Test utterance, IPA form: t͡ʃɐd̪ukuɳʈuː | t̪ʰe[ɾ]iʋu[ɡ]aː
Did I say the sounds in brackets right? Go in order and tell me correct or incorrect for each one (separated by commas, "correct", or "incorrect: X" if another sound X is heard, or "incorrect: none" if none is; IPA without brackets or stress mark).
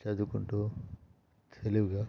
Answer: incorrect: l, correct